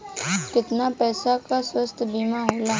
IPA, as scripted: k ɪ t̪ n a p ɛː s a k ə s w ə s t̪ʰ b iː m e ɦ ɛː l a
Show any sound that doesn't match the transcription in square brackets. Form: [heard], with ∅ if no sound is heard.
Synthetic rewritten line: k ɪ t̪ n a p ɛː s a k [a] s w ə s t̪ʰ b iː m [a] ɦ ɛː l a